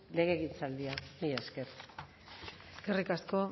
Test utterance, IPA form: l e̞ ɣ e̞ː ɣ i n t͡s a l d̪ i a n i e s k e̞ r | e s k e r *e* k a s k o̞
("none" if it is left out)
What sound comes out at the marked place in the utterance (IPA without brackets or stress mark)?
i